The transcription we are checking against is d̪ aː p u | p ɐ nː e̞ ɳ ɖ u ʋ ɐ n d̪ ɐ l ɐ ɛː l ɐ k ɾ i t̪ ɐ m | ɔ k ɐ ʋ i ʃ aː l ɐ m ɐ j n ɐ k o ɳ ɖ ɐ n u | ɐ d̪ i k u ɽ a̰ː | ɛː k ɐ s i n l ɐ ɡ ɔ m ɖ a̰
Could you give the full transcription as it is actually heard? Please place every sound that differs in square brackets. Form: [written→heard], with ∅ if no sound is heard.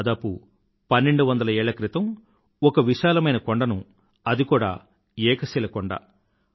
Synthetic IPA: d̪ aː p u | p ɐ nː e̞ ɳ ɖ u ʋ ɐ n d̪ ɐ l ɐ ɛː [l→ɭ] ɐ k ɾ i t̪ ɐ m | ɔ k ɐ ʋ i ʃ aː l ɐ m ɐ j n ɐ k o ɳ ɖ ɐ n u | ɐ d̪ i k [u→uː] ɽ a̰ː | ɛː k ɐ s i [n→∅] l ɐ [ɡ→k] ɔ [m→ɳ] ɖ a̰